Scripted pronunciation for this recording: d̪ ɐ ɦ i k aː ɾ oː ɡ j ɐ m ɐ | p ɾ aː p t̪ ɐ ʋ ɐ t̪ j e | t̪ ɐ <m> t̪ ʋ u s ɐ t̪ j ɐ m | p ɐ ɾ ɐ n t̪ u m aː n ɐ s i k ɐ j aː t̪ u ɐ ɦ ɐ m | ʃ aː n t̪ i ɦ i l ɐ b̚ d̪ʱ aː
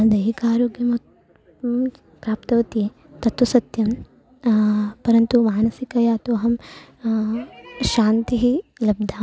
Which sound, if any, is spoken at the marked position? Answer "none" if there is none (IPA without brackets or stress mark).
none